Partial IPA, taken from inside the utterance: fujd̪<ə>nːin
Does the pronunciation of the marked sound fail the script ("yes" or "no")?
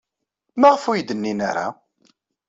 no